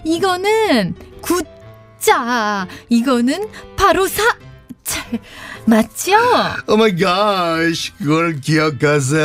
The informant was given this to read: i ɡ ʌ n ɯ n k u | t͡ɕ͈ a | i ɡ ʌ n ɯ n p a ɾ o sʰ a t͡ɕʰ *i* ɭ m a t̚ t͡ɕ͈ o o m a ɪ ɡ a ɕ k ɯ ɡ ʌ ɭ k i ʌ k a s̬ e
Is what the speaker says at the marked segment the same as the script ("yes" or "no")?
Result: no